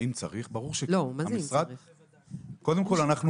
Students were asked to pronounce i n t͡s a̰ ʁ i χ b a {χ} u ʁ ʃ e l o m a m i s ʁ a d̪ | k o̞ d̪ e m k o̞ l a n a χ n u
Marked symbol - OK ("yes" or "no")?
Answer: no